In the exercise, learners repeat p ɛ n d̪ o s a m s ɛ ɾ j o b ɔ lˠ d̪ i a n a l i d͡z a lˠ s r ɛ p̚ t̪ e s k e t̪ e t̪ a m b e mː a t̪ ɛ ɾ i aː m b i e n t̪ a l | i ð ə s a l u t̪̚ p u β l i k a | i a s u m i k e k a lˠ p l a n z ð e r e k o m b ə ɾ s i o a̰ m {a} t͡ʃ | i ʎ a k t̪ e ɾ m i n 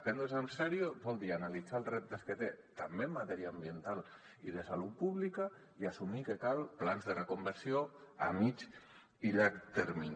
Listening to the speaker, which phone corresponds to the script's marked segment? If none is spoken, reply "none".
i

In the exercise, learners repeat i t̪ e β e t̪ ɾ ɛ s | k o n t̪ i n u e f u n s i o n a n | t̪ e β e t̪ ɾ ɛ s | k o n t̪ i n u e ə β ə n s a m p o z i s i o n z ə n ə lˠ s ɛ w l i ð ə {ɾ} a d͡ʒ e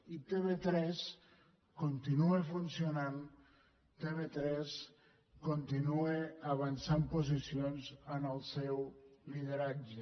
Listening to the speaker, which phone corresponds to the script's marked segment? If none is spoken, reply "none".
ɾ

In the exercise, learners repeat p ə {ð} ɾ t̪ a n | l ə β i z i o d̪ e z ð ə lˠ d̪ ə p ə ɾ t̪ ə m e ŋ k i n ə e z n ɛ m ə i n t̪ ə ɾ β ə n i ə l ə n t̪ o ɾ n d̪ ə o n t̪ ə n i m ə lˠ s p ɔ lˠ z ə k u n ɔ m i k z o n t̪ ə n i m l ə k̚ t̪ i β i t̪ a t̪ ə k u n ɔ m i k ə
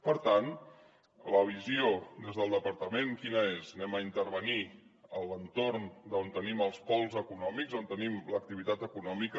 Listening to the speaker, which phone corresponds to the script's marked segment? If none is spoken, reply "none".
none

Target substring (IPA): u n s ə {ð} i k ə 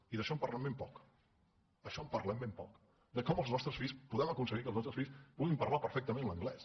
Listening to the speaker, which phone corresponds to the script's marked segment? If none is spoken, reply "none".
ɣ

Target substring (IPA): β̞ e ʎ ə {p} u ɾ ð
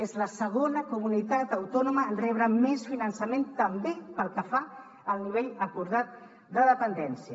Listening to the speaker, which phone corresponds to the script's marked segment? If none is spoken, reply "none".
k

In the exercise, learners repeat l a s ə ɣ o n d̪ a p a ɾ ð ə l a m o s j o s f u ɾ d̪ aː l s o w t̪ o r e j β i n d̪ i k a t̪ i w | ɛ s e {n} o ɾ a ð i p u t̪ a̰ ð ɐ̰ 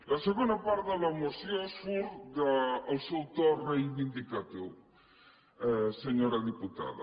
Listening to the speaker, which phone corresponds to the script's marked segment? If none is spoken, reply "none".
ɲ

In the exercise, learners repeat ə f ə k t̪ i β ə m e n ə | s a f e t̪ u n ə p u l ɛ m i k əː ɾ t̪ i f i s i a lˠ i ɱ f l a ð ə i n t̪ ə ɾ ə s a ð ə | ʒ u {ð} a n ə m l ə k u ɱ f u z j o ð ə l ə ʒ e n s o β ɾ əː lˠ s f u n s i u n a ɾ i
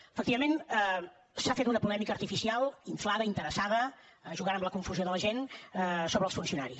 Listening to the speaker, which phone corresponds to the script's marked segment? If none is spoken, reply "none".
ɣ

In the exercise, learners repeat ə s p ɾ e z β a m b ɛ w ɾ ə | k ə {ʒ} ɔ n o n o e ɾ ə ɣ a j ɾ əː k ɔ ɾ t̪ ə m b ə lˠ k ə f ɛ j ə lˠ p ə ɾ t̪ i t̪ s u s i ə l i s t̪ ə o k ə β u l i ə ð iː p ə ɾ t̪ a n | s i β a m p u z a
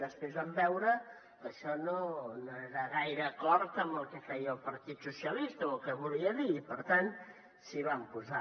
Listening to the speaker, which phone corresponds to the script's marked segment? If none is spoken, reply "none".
ʃ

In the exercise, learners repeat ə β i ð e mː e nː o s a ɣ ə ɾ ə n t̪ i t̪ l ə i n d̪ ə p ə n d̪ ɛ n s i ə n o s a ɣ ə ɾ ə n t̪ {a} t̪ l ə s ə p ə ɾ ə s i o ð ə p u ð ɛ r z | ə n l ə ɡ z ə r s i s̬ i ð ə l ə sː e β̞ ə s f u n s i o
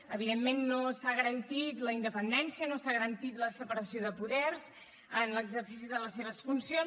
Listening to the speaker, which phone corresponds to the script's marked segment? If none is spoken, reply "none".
i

